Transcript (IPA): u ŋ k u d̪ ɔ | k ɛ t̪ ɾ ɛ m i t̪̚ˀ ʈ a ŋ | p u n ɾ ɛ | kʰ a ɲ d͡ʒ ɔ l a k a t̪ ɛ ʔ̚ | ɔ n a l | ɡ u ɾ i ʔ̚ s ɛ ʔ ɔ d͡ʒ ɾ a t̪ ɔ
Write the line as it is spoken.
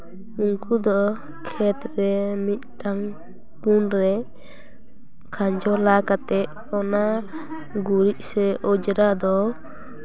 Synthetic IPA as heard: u ŋ k u d̪ ɔ | kʰ ɛ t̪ ɾ ɛ m i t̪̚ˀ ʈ a ŋ | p u n ɾ ɛ | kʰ a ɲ d͡ʒ ɔ l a k a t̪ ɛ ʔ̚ | ɔ n a | ɡ u ɾ i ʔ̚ s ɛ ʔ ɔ d͡ʒ ɾ a d̪ ɔ